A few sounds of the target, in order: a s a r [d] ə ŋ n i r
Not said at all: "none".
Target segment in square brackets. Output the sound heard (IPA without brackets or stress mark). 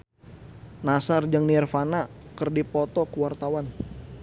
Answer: d͡ʒ